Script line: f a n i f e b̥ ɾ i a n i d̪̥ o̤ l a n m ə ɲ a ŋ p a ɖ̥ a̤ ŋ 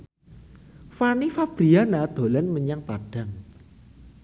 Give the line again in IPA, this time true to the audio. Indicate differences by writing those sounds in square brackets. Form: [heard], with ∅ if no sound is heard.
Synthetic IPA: f a n i f [a] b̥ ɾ i a n [a] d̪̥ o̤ l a n m ə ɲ a ŋ p a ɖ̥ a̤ ŋ